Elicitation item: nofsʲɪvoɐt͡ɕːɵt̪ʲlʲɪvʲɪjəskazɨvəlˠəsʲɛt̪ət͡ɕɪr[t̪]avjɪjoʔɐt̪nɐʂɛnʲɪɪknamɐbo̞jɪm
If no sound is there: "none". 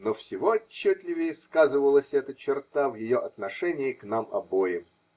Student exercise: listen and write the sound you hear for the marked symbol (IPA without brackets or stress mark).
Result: t̪